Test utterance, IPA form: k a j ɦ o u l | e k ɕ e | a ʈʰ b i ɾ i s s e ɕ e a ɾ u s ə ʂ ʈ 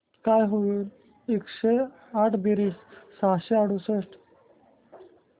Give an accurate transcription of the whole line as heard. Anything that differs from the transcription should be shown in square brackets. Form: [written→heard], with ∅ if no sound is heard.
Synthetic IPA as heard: k a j ɦ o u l | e k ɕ e | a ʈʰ b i ɾ i s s [e→a] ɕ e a [ɾ→ɽ] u s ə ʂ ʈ

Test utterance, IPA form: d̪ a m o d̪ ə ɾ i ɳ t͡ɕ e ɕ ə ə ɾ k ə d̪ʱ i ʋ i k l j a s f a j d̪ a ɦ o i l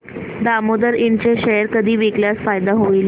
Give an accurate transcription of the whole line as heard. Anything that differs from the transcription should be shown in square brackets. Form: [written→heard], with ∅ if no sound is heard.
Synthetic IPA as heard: d̪ a m o d̪ ə ɾ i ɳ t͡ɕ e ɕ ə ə ɾ k ə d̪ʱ [i→iː] ʋ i k l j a s f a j d̪ a ɦ o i l

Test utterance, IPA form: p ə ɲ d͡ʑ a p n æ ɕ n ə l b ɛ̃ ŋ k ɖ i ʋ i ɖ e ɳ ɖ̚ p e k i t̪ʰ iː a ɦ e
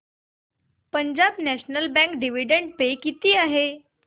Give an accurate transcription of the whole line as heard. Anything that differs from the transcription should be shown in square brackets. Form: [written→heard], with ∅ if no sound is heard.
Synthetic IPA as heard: p ə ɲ d͡ʑ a [p→b] n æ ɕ n ə l b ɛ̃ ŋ k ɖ i ʋ i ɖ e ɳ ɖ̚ p e k i [t̪ʰ→t̪] iː a ɦ e

